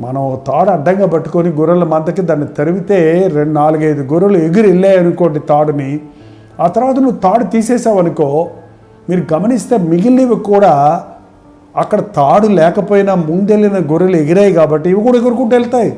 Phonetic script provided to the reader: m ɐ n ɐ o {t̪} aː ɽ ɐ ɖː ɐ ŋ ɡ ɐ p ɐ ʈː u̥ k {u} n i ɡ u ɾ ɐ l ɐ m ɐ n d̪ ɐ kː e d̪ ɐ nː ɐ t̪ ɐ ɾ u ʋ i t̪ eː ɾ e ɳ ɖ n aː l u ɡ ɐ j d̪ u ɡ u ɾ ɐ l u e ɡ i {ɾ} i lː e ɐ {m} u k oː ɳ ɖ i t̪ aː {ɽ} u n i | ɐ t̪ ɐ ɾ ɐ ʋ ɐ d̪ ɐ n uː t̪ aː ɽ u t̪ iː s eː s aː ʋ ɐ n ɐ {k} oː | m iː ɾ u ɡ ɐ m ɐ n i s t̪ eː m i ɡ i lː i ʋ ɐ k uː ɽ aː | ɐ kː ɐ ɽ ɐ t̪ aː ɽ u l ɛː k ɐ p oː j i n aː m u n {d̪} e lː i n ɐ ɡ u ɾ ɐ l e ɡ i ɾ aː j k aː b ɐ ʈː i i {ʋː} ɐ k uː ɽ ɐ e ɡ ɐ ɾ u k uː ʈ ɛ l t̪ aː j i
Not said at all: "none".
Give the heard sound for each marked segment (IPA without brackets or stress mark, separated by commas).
t̪, o, ɾ, n, ɽ, k, d̪, ʋ